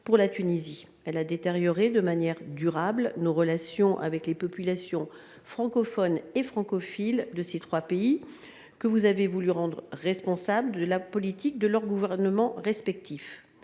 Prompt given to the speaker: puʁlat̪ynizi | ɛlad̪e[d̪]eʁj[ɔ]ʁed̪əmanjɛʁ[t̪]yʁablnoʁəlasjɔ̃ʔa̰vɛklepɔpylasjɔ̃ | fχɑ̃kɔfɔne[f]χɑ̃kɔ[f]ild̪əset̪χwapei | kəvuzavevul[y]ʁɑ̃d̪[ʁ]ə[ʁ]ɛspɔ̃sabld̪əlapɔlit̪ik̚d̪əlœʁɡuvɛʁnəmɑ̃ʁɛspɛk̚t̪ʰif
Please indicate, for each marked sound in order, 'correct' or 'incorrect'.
incorrect, correct, incorrect, correct, correct, correct, correct, correct

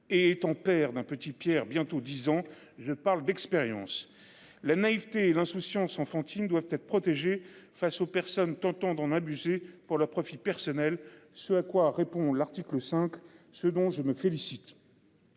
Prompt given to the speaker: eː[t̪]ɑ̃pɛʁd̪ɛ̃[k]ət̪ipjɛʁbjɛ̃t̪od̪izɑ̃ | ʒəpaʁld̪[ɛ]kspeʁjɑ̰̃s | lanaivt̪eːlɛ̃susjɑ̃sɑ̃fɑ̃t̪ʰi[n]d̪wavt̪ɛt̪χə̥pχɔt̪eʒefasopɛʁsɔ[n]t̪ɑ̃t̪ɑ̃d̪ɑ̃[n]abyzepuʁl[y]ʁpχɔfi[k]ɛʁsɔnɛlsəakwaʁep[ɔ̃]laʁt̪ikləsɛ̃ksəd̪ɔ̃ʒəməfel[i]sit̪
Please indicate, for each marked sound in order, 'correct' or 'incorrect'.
correct, incorrect, correct, correct, correct, correct, incorrect, incorrect, correct, correct

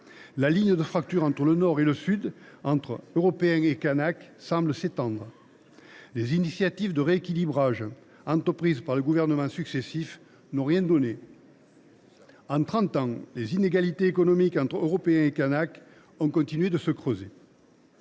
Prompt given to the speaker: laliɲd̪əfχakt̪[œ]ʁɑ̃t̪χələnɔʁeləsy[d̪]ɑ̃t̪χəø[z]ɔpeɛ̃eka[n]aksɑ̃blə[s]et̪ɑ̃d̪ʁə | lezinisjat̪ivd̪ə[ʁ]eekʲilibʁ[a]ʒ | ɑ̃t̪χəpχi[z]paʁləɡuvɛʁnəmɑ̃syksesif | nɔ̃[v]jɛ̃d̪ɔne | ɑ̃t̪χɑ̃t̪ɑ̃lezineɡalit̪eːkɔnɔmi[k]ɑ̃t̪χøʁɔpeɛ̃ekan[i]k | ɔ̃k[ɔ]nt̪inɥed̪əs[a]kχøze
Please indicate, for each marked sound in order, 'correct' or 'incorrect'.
incorrect, correct, incorrect, correct, correct, correct, correct, correct, incorrect, correct, incorrect, incorrect, incorrect

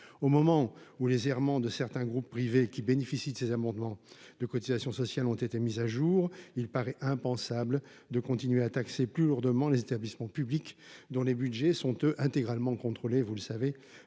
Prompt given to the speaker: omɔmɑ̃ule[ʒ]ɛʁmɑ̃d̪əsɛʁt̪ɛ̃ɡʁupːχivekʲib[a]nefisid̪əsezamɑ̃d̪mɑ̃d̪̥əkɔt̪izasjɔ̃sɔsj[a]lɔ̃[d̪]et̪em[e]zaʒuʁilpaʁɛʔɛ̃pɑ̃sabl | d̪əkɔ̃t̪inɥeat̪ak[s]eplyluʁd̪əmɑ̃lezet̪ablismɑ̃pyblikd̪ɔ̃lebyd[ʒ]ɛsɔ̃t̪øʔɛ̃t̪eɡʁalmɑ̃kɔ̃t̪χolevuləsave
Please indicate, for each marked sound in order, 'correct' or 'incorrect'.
incorrect, incorrect, correct, incorrect, incorrect, correct, correct

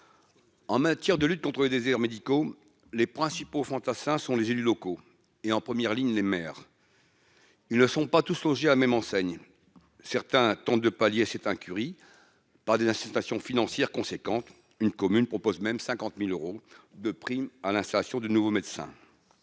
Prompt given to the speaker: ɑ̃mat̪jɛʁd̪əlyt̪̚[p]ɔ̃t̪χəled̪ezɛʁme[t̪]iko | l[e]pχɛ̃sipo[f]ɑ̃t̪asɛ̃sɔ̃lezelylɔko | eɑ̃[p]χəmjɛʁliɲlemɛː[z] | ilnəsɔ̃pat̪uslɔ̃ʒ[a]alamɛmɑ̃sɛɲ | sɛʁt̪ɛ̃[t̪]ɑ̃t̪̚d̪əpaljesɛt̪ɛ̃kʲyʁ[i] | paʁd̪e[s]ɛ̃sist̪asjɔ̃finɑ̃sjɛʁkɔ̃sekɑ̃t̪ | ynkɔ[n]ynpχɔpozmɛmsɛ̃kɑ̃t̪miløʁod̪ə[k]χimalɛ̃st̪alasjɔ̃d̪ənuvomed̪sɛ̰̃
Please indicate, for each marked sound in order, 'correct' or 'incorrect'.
incorrect, incorrect, correct, correct, correct, incorrect, incorrect, correct, correct, incorrect, incorrect, incorrect

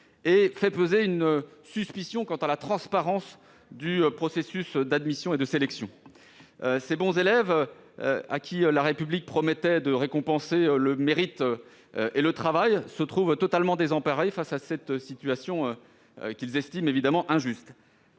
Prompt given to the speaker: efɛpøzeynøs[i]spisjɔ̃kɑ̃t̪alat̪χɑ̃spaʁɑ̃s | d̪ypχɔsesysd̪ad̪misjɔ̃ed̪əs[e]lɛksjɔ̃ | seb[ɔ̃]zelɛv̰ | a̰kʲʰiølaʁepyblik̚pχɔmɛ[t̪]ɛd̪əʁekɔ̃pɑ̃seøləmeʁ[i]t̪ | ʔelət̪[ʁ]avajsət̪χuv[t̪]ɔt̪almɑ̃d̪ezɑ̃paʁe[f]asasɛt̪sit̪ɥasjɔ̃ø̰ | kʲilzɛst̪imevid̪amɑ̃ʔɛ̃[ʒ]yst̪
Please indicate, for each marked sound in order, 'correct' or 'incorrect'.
incorrect, correct, correct, correct, correct, incorrect, correct, correct, correct

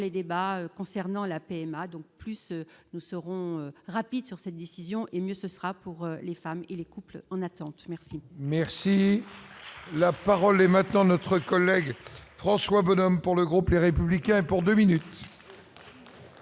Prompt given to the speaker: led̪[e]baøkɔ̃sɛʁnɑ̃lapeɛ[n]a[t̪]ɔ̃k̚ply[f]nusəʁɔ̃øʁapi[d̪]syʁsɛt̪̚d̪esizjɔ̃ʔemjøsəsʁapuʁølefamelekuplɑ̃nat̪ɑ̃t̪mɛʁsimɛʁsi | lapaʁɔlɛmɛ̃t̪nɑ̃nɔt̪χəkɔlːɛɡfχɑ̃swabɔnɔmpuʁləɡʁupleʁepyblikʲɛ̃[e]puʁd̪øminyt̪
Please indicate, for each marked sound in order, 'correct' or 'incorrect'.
correct, incorrect, incorrect, incorrect, correct, correct

